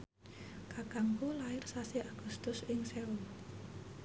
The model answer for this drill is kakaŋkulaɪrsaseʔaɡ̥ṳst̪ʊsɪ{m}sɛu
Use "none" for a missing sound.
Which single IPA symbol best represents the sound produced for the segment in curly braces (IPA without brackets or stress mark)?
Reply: ŋ